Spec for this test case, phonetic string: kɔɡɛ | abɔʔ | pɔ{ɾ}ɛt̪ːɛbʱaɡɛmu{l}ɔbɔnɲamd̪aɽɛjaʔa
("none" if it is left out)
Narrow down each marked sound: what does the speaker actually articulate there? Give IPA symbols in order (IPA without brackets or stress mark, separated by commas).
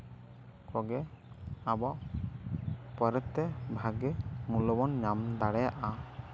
ɾ, l